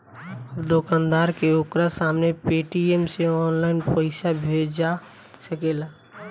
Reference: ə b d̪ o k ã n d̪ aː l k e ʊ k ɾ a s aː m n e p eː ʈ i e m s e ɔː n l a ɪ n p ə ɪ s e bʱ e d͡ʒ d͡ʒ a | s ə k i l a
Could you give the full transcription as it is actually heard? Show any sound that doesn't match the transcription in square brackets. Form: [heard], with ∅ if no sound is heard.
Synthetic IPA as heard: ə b d̪ o k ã n d̪ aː [ɾ] k e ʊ k ɾ a s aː m n e p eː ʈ i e m s e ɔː n l a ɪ n p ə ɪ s [a] bʱ e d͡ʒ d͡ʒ a | s ə k [e] l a